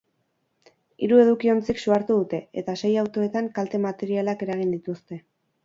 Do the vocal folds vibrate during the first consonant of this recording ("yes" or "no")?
yes